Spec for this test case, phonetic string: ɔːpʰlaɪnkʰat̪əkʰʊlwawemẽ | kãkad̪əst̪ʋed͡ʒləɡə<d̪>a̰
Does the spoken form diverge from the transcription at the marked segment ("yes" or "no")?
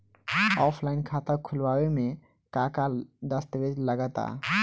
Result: yes